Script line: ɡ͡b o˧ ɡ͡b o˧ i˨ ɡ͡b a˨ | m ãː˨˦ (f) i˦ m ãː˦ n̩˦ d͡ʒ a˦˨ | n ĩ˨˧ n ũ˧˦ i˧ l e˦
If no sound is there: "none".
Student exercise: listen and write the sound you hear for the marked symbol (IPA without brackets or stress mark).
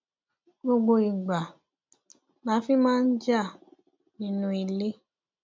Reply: f